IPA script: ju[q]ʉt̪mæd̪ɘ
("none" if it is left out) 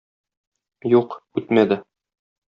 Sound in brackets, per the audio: q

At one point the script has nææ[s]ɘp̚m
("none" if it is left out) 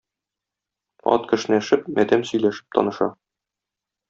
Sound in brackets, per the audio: ʃ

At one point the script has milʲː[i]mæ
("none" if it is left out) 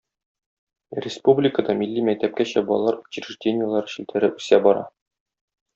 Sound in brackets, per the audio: i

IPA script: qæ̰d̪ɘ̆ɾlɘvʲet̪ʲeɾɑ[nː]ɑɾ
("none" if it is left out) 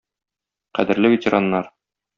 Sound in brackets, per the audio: nː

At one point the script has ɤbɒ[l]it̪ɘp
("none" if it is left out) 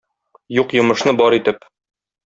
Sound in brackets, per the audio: ɾ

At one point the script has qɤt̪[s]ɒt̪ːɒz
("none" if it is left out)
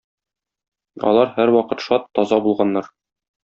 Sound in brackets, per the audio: ʃ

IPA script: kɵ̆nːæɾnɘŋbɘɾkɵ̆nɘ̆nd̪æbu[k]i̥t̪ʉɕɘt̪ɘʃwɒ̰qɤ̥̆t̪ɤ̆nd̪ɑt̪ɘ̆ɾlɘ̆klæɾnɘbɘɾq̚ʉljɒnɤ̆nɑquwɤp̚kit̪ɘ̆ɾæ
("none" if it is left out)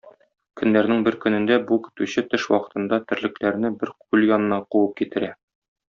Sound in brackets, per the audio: k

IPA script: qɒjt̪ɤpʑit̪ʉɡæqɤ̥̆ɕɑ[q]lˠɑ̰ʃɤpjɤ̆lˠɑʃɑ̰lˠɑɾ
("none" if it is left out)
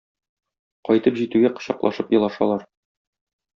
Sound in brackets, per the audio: q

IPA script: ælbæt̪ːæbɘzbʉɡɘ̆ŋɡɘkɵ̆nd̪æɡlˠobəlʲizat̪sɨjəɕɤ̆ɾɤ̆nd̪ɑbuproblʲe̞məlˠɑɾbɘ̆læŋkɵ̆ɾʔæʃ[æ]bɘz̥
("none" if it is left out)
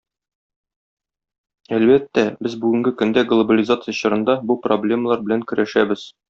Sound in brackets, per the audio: æ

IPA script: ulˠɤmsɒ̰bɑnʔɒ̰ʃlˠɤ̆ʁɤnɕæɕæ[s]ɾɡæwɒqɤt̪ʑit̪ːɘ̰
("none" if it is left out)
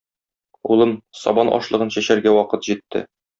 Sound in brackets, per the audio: none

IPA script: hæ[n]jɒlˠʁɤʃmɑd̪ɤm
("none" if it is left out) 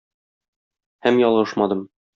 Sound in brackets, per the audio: m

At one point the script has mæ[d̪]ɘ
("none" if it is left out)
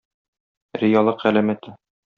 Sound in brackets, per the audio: t̪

